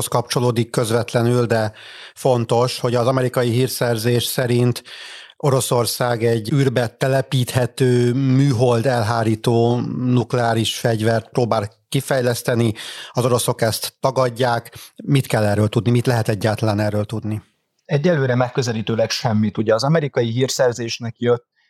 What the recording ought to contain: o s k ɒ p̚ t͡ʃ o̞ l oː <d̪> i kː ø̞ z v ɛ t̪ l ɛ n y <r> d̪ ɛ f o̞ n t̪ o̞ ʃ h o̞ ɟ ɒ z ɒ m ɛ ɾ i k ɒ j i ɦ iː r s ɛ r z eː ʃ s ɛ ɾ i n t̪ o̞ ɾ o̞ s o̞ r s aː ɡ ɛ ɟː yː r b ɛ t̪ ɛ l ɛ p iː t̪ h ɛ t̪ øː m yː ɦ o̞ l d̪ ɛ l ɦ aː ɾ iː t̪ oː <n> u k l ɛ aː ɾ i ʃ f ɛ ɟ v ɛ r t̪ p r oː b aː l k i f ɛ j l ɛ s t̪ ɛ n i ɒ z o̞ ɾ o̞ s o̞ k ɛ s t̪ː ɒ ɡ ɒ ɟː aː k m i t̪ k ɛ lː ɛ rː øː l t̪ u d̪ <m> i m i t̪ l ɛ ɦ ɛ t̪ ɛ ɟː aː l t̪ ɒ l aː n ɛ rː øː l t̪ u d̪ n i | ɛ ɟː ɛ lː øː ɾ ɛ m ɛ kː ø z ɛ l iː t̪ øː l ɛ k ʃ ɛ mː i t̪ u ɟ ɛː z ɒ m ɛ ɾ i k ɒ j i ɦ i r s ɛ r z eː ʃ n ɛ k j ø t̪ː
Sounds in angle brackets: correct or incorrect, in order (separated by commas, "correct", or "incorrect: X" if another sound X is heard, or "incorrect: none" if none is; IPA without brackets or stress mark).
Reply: correct, incorrect: l, correct, incorrect: n